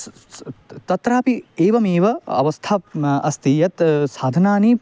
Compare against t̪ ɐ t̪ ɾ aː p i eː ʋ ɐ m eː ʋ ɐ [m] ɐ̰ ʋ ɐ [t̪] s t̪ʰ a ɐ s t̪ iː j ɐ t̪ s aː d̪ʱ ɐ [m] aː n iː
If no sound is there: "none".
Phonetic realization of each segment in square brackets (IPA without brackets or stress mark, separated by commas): none, none, n